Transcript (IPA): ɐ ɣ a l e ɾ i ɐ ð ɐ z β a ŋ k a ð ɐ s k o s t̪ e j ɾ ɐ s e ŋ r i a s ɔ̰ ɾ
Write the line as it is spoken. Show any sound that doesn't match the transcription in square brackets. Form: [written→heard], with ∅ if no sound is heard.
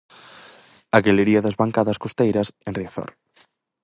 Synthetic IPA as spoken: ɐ ɣ [a→e] l e ɾ i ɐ ð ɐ z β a ŋ k a ð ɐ s k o s t̪ e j ɾ ɐ s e [ŋ→n] r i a [s→θ] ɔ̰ ɾ